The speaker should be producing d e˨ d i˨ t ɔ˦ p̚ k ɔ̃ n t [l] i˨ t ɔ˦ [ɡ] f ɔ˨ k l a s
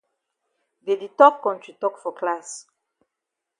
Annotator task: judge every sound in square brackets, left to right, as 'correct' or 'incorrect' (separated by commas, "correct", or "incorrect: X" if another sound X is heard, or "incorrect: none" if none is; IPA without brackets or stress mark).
incorrect: ɹ, incorrect: k